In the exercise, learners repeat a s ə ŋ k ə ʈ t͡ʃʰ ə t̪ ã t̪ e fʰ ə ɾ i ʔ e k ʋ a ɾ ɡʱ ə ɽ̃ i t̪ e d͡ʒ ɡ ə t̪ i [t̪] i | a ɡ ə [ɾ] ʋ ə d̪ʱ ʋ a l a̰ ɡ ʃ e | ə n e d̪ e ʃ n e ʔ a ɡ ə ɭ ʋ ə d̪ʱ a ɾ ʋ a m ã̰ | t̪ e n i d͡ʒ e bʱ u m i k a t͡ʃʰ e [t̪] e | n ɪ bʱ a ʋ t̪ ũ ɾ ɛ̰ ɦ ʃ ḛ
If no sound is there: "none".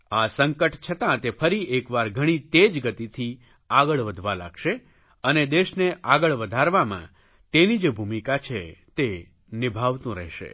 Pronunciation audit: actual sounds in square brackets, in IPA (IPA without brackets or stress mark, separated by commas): t̪ʰ, ɭ, t̪